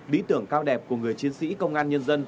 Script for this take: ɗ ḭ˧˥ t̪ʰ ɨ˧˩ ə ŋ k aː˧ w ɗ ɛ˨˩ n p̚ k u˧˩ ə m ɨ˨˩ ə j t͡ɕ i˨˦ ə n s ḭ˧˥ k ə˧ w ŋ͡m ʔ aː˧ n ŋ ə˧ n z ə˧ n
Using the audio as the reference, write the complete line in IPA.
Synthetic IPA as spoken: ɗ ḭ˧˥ t̪ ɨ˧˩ ə ŋ k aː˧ w ɗ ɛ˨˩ p̚ k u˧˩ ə ŋ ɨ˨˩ ə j t͡ɕ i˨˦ ə n s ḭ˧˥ k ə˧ w ŋ͡m ʔ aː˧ n ɲ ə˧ n z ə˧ n

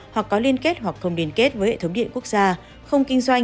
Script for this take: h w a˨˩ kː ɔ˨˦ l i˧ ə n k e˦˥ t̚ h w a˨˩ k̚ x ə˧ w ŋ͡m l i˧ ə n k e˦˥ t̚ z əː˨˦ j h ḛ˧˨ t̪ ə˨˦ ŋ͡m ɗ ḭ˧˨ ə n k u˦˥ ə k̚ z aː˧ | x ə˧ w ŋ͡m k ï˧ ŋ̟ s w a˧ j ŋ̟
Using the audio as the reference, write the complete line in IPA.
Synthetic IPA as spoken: h w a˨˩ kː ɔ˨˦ l i˧ ə n k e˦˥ t̚ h w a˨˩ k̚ x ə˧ w ŋ͡m l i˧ ə n k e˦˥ t̚ v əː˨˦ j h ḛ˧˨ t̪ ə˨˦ ŋ͡m ɗ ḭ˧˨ ə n k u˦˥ ə k̚ z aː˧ | x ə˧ w ŋ͡m k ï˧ ŋ̟ s w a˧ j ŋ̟

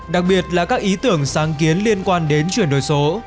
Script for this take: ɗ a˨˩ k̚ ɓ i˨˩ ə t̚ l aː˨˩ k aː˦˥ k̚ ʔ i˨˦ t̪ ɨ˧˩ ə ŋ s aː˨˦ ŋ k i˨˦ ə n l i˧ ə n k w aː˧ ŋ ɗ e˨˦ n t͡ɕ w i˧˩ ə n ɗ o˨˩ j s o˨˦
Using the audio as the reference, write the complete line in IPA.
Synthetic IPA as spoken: ɗ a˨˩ k̚ ɓ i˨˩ ə t̚ l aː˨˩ k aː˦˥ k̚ ʔ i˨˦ t̪ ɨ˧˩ ə ŋ s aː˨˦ ŋ k i˨˦ ə n l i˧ ə n k w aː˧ n ɗ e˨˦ n t͡ɕ w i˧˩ ə n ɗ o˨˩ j s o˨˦

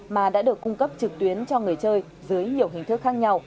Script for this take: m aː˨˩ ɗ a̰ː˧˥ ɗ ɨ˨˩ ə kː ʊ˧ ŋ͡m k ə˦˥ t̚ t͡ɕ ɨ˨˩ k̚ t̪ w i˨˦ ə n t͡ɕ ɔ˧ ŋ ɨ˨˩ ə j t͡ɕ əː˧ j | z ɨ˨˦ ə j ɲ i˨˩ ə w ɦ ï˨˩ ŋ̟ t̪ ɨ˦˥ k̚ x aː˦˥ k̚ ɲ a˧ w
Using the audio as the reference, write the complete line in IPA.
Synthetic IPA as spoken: m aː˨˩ ɗ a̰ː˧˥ ɗ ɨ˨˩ ə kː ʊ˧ ŋ͡m k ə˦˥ p̚ t͡ɕ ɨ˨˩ k̚ t̪ w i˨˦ ə n t͡ɕ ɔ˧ ŋ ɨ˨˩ ə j t͡ɕ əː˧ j | z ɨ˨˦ ə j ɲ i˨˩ ə w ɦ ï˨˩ ŋ̟ t̪ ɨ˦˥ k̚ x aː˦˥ k̚ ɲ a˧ w

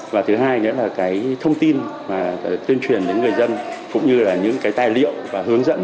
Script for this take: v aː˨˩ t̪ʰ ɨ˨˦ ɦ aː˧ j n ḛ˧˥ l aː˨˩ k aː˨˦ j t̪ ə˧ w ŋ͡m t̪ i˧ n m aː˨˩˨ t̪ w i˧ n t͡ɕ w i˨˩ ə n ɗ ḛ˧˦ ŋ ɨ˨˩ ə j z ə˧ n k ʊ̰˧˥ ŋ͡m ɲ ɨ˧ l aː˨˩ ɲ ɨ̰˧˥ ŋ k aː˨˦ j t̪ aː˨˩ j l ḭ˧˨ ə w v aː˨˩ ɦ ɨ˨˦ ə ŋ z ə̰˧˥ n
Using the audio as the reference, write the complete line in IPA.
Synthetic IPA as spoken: v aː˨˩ t̪ʰ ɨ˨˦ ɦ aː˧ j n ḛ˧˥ l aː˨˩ k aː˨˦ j t̪ʰ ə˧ w ŋ͡m t̪ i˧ n m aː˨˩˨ t̪ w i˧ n t͡ɕ w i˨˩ ə n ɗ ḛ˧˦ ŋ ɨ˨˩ ə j z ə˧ n k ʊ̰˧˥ ŋ͡m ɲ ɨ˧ l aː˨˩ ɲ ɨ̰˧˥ ŋ k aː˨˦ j t̪ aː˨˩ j l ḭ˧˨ ə w v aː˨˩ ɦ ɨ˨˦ ə ŋ z ə̰˧˥ n

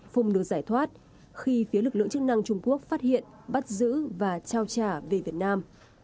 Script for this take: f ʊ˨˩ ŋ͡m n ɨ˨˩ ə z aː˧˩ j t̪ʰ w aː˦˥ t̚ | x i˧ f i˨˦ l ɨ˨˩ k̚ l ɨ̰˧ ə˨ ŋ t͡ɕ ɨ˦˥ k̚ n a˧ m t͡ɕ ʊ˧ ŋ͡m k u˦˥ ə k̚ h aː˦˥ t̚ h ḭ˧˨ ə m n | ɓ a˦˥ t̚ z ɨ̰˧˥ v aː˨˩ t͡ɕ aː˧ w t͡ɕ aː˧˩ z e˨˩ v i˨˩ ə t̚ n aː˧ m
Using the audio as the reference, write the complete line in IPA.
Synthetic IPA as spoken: f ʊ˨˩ ŋ͡m n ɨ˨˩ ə z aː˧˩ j t̪ʰ w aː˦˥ t̚ | x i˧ f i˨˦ l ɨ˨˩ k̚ l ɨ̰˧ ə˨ ŋ t͡ɕ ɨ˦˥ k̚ n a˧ ŋ t͡ɕ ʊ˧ ŋ͡m k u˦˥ ə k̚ f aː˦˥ t̚ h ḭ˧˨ ə n | ɓ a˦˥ t̚ z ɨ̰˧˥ v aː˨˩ t͡ɕ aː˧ w t͡ɕ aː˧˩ v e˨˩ v i˨˩ ə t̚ n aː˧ m

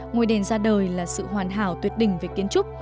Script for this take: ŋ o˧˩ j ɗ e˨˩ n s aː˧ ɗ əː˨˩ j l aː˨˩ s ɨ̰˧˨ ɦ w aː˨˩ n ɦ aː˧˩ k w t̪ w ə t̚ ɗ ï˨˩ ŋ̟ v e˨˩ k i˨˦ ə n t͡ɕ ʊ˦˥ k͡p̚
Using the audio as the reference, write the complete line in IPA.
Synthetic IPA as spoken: ŋ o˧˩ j ɗ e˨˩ n z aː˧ ɗ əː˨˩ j l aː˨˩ s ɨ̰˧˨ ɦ w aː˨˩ n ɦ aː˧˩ w t̪ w ə t̚ ɗ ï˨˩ ŋ̟ v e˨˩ k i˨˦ ə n t͡ɕ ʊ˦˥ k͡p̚

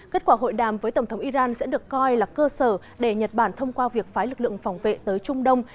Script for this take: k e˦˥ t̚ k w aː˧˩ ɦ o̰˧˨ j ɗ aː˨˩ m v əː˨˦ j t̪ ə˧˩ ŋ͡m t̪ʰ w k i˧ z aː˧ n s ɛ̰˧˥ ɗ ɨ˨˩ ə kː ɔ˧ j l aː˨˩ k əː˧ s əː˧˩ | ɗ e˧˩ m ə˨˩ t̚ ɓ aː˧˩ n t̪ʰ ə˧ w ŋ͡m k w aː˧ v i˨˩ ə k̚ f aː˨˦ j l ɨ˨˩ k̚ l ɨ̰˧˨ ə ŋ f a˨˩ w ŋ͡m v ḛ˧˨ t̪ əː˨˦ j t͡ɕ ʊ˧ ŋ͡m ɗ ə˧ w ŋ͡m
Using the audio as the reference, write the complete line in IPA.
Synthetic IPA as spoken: k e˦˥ t̚ k w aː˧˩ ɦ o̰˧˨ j ɗ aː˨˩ m v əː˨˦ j t̪ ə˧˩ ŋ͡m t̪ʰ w ʔ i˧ z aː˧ n s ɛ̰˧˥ ɗ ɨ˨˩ ə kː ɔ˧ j l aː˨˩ k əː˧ s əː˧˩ | ɗ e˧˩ ɲ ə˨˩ t̚ ɓ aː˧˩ n t̪ʰ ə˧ w ŋ͡m k w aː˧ v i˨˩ ə k̚ f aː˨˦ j l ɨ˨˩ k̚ l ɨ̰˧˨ ə ŋ f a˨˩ w ŋ͡m v ḛ˧˨ t̪ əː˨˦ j t͡ɕ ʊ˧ ŋ͡m ɗ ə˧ w ŋ͡m

